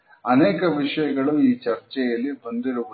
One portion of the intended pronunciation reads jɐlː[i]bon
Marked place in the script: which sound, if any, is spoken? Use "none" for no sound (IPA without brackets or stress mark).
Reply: i